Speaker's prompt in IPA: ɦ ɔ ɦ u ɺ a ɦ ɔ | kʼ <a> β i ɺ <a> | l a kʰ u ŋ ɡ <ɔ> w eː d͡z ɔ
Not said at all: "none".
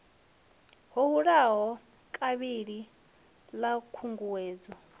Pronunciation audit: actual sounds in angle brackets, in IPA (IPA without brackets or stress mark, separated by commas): a, i, u